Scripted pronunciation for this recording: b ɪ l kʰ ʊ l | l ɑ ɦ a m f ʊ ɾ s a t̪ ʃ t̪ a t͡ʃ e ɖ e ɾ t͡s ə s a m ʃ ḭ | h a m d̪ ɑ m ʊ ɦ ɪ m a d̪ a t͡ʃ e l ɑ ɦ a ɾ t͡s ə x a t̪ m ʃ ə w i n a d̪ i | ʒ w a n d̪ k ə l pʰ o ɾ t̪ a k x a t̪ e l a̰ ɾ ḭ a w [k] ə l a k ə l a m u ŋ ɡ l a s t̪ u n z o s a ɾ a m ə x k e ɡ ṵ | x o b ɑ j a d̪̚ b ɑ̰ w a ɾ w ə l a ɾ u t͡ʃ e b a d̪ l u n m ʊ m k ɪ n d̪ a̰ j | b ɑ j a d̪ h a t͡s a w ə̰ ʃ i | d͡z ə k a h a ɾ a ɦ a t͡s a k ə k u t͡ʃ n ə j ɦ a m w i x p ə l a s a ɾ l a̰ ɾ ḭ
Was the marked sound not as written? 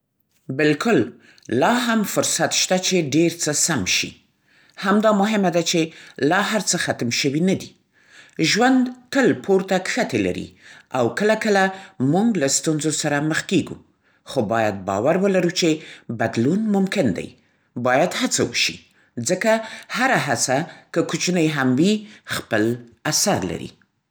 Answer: no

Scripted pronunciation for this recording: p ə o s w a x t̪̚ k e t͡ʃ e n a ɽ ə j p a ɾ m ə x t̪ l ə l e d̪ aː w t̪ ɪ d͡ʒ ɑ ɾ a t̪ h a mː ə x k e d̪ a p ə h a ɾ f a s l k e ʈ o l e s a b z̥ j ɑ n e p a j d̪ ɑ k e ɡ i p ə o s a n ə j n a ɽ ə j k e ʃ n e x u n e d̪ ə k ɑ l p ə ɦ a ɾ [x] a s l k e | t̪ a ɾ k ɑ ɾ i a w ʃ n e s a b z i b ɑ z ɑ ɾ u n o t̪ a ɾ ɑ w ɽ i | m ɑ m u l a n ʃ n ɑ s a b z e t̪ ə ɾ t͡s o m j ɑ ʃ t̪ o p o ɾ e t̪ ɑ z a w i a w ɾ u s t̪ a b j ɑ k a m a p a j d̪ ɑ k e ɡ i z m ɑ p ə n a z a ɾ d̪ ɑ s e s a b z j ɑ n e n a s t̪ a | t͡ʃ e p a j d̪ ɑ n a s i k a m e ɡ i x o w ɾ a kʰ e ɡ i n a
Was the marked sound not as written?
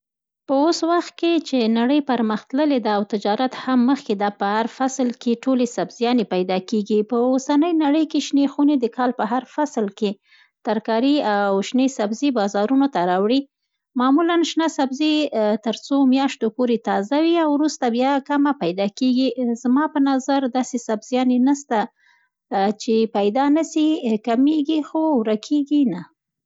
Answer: yes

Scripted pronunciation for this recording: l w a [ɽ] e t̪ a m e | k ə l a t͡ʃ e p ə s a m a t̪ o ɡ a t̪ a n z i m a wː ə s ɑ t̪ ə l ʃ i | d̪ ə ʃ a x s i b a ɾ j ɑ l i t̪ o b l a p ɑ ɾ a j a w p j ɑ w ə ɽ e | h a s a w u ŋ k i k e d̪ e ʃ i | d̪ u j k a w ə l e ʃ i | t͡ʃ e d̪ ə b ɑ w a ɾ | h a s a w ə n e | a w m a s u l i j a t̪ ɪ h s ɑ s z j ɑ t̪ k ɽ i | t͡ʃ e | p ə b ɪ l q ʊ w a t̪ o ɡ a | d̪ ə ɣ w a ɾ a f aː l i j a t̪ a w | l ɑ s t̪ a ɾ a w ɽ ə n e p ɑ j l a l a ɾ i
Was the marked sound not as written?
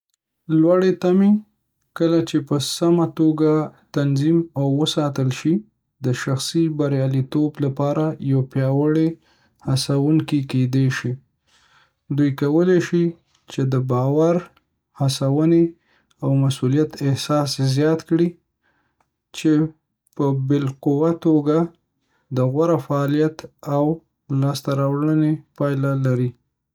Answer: no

